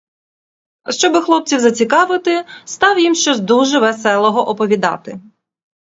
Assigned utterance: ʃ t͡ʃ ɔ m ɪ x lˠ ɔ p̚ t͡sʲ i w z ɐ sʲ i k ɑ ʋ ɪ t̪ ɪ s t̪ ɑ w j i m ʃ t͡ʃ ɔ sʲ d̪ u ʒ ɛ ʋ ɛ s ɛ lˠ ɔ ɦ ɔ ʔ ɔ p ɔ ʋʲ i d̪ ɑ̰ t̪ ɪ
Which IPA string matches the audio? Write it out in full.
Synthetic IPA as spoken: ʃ t͡ʃ ɔ b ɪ x lˠ ɔ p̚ t͡sʲ i w z ɐ t͡sʲ i k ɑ ʋ ɪ t̪ ɪ s t̪ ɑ w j i m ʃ t͡ʃ ɔ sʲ d̪ u ʒ ɛ ʋ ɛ s ɛ lˠ ɔ ɦ ɔ ʔ ɔ p ɔ ʋʲ i d̪ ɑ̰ t̪ ɪ